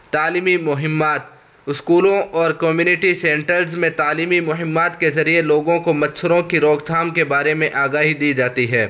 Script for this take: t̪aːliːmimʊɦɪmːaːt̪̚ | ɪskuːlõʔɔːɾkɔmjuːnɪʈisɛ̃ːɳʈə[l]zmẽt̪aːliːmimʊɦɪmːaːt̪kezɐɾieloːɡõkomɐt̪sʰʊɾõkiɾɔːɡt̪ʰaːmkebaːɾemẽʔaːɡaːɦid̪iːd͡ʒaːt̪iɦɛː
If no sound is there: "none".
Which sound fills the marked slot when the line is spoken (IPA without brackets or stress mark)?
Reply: ɾ